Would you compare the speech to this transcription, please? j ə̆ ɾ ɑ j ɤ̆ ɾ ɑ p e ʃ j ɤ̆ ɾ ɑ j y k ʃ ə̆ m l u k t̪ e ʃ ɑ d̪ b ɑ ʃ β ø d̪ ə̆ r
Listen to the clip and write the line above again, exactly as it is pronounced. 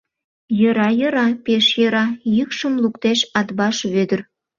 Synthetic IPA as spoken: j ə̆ ɾ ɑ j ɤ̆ ɾ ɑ p e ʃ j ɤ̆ ɾ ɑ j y k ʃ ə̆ m l u k t̪ e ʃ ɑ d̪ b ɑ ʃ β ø d̪ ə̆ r